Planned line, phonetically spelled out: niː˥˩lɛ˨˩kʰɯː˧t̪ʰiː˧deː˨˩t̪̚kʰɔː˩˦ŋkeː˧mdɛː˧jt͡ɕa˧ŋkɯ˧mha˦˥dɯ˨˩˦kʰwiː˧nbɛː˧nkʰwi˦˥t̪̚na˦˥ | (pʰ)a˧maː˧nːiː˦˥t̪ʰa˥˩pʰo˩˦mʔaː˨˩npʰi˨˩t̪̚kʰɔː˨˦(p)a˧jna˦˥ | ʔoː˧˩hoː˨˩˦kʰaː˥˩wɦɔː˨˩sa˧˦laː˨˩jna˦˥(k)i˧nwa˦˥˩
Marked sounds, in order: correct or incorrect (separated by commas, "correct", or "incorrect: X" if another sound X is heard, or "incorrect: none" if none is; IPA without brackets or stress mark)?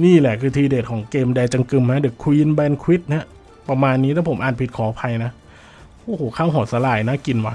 incorrect: p, incorrect: pʰ, correct